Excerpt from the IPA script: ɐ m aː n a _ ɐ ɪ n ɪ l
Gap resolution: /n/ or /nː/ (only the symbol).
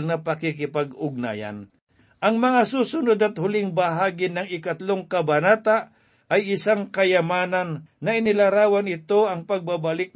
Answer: nː